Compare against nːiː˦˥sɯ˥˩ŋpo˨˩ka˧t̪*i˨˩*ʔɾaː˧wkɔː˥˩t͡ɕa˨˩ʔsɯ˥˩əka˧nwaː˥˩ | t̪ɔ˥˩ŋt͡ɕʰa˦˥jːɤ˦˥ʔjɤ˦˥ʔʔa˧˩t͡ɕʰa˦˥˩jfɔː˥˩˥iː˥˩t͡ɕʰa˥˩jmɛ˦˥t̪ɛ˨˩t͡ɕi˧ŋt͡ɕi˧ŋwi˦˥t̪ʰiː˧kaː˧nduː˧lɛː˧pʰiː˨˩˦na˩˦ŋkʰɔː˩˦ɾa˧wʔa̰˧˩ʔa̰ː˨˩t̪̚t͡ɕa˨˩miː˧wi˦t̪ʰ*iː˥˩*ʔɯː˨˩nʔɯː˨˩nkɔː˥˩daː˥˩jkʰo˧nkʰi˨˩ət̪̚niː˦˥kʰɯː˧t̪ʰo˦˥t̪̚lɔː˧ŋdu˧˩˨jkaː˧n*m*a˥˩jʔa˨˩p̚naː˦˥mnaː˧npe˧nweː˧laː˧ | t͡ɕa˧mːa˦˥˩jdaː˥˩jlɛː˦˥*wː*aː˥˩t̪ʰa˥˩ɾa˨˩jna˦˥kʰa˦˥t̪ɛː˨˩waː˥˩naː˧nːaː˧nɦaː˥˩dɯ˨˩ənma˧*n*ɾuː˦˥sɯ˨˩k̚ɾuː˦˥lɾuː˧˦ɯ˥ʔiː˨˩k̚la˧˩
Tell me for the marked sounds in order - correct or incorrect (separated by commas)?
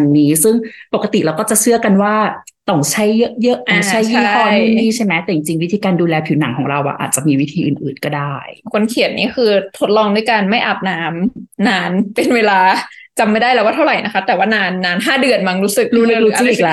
correct, incorrect, correct, incorrect, incorrect